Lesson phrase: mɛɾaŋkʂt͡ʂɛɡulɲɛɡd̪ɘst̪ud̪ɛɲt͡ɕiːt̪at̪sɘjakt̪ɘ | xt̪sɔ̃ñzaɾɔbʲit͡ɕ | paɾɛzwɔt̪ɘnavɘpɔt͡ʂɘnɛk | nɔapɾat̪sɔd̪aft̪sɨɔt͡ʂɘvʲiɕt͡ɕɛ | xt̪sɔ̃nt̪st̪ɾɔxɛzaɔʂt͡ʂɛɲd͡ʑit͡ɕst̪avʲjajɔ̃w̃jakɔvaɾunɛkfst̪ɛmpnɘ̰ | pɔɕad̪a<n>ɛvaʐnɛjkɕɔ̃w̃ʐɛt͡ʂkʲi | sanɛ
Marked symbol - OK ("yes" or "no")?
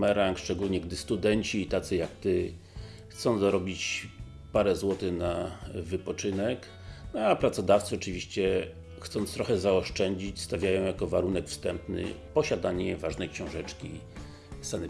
no